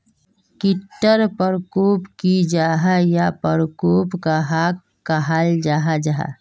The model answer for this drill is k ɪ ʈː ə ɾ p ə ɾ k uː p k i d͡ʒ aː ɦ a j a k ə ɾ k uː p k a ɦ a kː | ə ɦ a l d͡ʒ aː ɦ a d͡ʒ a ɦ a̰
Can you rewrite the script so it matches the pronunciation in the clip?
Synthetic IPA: k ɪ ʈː ə ɾ p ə ɾ k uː p k i d͡ʒ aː ɦ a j a p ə ɾ k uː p k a ɦ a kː | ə ɦ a l d͡ʒ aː ɦ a d͡ʒ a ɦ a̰